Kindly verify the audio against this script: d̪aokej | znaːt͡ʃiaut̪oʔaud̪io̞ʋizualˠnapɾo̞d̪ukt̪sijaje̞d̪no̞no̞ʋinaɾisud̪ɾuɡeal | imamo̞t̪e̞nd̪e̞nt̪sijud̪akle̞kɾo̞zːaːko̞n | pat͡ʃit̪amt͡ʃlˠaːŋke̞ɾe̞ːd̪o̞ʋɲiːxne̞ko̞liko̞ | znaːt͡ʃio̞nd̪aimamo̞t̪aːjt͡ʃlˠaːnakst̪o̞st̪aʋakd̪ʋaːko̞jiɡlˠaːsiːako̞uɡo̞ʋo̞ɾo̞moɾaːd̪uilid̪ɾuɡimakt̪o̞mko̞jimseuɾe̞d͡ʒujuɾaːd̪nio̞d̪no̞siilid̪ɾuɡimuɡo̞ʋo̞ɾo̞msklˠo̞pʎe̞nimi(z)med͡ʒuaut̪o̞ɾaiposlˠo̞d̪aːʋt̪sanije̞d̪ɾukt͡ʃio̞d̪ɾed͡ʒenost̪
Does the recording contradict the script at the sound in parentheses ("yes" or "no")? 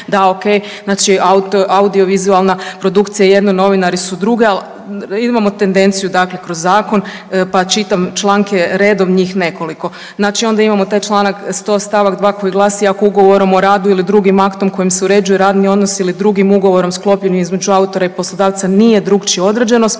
no